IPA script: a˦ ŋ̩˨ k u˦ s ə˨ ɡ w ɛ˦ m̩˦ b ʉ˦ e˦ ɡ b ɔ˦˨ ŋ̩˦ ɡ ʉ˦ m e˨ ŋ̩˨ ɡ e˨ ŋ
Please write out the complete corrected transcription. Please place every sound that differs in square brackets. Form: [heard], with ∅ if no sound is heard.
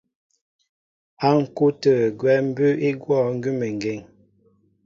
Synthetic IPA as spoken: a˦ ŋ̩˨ k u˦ [t] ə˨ ɡ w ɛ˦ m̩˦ b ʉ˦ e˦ ɡ [w] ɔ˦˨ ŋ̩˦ ɡ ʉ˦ m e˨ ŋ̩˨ ɡ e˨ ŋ